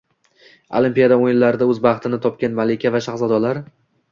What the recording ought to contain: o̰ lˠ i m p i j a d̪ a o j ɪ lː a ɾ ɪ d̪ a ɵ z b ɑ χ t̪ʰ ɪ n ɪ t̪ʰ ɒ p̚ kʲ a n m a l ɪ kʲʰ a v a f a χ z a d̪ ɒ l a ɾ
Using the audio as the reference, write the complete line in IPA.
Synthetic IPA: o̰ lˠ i m p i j a d̪ a o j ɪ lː a ɾ ɪ d̪ a ɵ z b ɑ χ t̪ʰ ɪ n ɪ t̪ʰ ɒ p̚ kʲ a n m a l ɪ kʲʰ a v a ʃ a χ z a d̪ ɒ l a ɾ